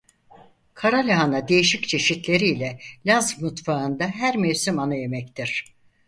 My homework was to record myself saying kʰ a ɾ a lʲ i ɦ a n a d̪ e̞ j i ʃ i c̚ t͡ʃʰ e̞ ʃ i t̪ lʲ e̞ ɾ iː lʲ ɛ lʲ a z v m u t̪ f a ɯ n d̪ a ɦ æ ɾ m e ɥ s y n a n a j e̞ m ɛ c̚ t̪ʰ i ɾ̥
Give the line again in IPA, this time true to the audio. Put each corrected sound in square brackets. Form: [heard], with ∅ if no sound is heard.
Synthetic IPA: kʰ a ɾ a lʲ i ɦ a n a d̪ e̞ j i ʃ i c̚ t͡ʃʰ e̞ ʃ i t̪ lʲ e̞ ɾ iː lʲ ɛ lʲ a z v m u t̪ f a ɯ n d̪ a ɦ æ ɾ m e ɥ s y [m] a n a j e̞ m ɛ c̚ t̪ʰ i ɾ̥